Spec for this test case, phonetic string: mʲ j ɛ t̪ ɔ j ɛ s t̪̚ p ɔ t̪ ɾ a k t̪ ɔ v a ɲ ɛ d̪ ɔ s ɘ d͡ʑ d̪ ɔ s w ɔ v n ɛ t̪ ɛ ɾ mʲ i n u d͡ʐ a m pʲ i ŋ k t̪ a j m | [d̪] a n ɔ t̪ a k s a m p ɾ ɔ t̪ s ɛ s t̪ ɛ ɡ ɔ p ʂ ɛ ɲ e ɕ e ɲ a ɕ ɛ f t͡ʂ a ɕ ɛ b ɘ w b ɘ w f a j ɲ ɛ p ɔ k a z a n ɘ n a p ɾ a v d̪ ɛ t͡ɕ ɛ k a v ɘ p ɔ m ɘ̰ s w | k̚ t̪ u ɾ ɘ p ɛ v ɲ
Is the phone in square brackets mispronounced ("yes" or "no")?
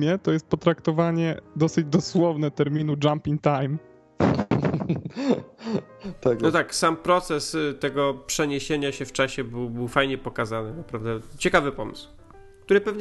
yes